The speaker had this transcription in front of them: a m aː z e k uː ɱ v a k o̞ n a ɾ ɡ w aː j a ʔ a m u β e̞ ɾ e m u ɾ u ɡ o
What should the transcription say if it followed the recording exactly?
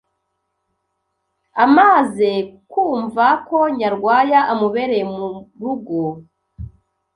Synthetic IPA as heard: a m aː z e k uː ɱ v a k o̞ ɲ a ɾ ɡ w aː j a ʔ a m u β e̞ ɾ e m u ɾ u ɡ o

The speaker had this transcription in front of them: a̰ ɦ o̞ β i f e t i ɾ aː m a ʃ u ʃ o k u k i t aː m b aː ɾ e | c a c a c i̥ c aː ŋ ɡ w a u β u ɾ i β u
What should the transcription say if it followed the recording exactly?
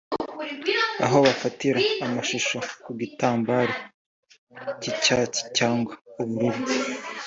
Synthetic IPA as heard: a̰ ɦ o̞ β a f a t i ɾ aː m a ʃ u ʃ o k u ɡ i t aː m b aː ɾ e | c i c a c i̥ c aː ŋ ɡ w a u β u ɾ i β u

